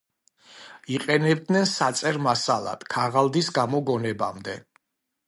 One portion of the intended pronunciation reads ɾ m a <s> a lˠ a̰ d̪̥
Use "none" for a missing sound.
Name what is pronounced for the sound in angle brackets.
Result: s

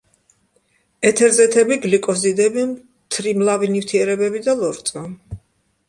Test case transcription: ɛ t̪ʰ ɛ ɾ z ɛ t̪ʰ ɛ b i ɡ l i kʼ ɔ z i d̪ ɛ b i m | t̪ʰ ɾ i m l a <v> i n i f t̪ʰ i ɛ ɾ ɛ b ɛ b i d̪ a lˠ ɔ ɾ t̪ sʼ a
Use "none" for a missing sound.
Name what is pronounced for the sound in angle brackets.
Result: v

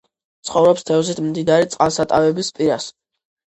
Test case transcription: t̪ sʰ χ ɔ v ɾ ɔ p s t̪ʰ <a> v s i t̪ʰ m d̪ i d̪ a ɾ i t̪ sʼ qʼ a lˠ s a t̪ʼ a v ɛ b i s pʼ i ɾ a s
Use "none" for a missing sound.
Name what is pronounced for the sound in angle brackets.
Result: ɛ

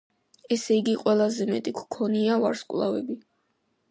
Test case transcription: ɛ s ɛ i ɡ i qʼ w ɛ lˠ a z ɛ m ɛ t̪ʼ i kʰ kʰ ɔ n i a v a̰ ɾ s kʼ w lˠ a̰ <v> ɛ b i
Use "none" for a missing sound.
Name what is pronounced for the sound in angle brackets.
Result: v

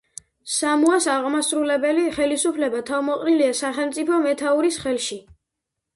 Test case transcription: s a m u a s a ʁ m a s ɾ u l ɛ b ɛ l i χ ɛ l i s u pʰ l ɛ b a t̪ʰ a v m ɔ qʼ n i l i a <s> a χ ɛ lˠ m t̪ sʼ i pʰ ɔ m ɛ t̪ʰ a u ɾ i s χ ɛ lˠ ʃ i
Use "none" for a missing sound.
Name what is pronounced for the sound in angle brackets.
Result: s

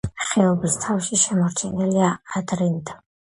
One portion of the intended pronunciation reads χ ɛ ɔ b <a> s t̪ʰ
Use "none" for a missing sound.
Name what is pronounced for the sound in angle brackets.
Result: i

